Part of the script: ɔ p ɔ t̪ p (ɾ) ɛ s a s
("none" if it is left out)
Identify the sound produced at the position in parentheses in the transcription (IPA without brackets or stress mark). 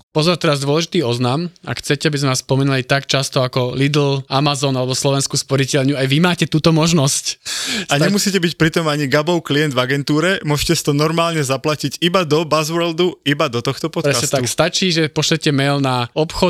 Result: ɾ